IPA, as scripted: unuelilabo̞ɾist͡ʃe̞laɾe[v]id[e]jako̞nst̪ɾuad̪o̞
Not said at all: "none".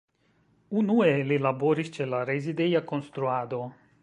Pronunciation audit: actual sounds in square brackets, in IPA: z, e

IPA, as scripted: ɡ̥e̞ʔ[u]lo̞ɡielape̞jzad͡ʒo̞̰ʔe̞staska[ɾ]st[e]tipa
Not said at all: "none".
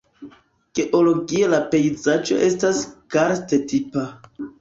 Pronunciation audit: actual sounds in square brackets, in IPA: o, ɾ, e

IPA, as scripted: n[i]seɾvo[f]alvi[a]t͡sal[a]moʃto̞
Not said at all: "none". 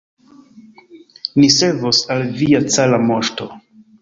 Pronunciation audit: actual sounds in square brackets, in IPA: i, s, a, a

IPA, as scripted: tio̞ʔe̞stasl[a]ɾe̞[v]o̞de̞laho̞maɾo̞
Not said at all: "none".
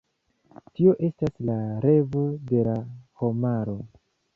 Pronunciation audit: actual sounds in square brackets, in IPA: a, v

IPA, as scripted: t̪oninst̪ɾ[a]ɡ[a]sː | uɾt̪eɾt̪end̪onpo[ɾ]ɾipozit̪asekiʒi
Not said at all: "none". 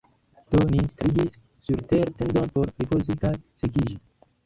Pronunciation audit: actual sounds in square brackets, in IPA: i, i, ɾ

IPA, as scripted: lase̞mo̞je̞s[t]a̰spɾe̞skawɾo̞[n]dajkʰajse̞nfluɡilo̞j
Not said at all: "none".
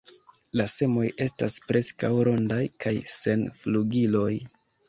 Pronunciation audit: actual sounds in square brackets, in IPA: t, n

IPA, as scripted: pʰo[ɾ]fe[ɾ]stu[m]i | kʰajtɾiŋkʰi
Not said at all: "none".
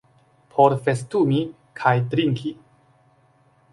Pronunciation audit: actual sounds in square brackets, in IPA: ɾ, none, m

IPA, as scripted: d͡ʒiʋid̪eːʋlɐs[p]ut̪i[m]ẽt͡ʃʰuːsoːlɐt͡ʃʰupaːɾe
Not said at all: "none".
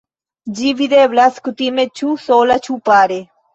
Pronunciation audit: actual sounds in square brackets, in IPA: k, m

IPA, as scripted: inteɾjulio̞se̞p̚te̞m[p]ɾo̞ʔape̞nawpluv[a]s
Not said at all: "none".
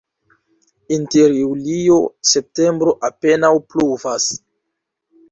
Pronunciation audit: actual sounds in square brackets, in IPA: b, a

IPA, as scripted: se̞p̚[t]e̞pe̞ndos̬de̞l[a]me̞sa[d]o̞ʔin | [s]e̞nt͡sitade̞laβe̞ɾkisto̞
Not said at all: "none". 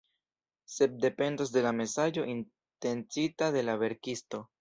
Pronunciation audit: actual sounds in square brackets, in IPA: d, a, d͡ʒ, t

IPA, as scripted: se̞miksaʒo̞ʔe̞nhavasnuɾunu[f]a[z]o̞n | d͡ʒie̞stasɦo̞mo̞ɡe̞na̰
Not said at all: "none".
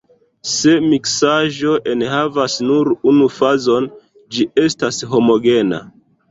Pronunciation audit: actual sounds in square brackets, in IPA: f, z

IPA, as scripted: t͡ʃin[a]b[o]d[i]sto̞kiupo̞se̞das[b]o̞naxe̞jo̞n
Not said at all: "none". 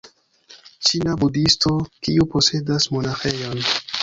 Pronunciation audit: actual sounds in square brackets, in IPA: a, u, i, m

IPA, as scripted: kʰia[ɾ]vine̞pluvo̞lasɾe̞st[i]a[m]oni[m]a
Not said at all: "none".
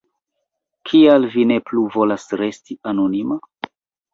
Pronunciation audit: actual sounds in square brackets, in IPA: l, i, n, m

